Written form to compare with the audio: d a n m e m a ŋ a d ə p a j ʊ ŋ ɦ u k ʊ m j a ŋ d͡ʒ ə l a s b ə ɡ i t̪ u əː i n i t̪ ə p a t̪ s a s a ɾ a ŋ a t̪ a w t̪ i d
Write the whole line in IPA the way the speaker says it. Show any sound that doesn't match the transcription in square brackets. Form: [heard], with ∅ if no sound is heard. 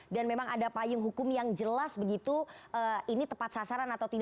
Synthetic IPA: d a n m e m a ŋ a d [a] p a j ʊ ŋ ɦ u k ʊ m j a ŋ d͡ʒ ə l a s b ə ɡ i t̪ u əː i n i t̪ ə p a t̪ s a s a ɾ a [n] a t̪ a w t̪ i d